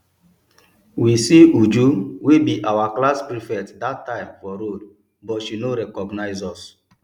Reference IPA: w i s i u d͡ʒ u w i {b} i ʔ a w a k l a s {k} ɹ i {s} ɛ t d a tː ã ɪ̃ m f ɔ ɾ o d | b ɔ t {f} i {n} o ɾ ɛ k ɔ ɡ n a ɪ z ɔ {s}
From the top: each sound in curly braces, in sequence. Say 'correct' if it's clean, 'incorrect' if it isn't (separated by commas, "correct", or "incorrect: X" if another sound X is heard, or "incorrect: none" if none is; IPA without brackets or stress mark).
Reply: correct, incorrect: p, incorrect: f, incorrect: ʃ, correct, correct